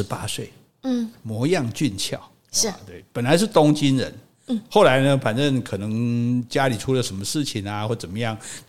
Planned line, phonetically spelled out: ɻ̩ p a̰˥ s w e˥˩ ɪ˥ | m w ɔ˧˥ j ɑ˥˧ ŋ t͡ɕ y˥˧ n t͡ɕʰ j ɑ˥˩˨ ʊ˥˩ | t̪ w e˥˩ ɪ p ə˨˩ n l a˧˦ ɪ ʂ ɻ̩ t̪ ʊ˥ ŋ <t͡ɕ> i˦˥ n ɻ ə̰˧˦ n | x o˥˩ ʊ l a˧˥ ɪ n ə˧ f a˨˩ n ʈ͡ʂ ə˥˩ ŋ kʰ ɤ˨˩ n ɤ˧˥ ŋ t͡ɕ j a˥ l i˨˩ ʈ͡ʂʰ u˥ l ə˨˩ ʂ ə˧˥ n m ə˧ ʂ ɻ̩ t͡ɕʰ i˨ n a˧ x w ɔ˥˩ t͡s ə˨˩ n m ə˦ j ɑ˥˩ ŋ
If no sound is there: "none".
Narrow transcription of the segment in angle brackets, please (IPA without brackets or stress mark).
t͡ɕ